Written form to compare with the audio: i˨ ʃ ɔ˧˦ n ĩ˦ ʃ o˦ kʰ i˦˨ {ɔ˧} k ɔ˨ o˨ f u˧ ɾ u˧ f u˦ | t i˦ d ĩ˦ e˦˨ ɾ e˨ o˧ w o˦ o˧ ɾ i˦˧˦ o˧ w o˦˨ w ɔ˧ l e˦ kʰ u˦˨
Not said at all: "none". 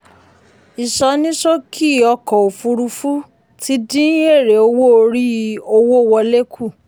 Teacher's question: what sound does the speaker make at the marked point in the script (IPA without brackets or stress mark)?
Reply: ɔ˧